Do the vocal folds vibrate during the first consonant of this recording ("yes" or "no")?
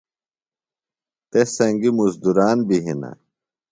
no